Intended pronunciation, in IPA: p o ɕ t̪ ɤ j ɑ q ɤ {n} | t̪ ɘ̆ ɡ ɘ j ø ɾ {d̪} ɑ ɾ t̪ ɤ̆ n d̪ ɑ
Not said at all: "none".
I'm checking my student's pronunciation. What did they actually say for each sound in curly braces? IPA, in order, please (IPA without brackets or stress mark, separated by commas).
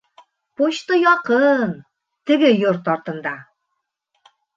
n, t̪